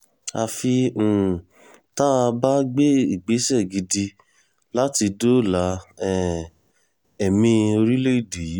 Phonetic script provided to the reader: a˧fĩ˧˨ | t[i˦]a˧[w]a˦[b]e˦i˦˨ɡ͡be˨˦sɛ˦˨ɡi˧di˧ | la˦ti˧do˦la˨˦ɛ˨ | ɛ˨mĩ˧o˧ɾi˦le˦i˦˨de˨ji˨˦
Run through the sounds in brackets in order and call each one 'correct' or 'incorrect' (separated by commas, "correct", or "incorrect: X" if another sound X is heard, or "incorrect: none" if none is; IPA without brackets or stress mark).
incorrect: a˦, incorrect: b, incorrect: ɡ͡b